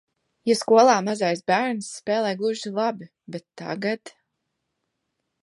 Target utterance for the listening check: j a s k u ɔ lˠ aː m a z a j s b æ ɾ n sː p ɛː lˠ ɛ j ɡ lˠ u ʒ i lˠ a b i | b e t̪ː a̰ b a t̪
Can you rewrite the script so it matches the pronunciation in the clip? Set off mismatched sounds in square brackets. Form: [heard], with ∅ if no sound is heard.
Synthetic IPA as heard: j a s k u ɔ lˠ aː m a z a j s b æ ɾ n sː p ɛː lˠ ɛ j ɡ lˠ u ʒ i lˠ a b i | b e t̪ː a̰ [ɡ] a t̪